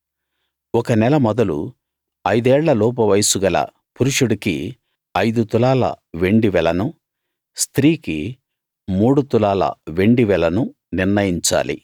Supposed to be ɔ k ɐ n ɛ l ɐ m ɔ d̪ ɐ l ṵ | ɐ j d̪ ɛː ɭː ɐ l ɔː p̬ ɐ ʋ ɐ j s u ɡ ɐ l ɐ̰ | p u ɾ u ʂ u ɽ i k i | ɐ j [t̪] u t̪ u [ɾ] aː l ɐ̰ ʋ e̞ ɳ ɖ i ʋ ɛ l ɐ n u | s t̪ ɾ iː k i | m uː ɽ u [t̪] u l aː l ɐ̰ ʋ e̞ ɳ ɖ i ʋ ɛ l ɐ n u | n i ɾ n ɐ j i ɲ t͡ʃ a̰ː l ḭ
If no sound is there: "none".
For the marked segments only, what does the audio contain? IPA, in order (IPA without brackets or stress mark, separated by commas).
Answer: d̪, l, t̪